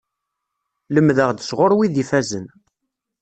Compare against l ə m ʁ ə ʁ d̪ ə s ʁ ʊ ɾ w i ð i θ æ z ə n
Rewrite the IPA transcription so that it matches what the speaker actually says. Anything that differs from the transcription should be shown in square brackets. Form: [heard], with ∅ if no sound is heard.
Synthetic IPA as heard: l ə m [ð] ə ʁ d̪ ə s ʁ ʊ ɾ w i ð i [f] æ z ə n